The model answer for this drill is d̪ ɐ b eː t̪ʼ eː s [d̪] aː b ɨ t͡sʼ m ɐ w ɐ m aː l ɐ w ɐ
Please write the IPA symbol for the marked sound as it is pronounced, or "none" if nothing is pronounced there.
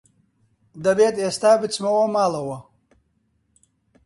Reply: t̪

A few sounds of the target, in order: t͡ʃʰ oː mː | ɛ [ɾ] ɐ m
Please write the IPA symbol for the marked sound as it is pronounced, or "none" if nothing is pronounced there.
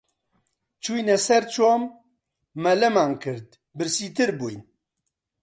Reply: l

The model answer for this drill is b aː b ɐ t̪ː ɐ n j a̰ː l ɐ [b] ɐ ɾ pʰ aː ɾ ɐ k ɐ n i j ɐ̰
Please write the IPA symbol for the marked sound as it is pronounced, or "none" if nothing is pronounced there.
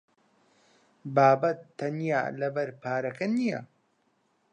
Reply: b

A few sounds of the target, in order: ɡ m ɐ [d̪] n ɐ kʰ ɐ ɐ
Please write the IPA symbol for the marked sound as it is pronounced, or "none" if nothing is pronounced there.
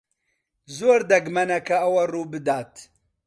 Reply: none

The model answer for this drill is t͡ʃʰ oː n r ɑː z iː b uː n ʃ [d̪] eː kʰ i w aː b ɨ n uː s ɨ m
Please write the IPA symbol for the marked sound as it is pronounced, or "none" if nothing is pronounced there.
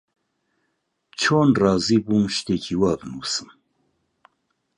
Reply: t̪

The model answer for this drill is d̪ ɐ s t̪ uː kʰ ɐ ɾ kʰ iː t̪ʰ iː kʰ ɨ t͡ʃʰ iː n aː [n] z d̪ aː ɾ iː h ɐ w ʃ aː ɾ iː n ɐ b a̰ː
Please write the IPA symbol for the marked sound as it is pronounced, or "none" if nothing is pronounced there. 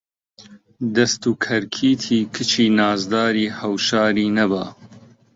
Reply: none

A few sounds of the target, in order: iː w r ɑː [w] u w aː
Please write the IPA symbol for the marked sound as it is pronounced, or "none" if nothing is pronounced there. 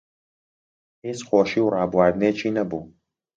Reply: b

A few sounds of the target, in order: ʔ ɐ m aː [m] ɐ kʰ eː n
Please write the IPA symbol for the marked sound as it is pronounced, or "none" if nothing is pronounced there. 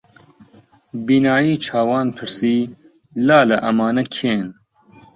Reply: n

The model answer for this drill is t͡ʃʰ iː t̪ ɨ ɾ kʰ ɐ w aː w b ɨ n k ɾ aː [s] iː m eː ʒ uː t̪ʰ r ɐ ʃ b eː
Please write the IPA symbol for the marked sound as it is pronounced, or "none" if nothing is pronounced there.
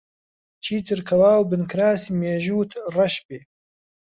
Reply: s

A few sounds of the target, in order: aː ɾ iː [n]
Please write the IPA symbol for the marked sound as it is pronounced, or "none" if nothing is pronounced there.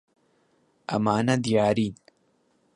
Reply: n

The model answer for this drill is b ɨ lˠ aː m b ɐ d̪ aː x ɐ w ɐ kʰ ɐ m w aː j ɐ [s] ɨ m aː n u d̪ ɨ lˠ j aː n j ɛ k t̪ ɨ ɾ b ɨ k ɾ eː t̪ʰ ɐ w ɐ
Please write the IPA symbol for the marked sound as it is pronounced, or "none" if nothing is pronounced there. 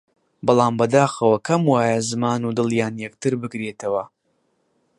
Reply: z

